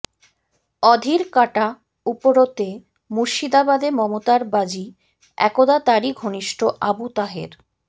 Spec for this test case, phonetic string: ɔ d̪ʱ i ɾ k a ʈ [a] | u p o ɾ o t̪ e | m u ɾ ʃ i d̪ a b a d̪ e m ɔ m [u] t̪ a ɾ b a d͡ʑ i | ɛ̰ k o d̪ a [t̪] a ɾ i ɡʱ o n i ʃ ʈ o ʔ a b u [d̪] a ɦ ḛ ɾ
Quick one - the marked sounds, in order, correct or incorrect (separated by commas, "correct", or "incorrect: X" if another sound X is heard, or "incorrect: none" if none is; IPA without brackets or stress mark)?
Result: correct, incorrect: o, correct, incorrect: t̪